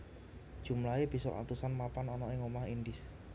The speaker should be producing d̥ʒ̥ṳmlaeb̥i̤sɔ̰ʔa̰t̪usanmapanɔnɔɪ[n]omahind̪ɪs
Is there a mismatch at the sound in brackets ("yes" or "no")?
yes